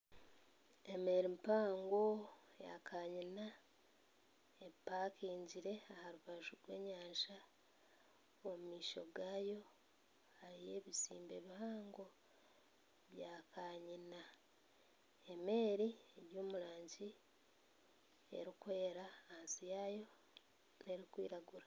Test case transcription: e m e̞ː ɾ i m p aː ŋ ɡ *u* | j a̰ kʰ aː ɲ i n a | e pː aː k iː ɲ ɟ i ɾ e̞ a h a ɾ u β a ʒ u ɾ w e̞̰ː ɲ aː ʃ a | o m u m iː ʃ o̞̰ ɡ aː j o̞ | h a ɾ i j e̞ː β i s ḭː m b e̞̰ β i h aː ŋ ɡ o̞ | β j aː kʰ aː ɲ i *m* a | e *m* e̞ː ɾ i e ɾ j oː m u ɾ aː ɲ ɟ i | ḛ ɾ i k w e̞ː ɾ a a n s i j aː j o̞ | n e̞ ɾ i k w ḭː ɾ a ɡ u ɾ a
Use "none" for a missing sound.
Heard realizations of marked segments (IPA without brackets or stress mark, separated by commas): o, n, m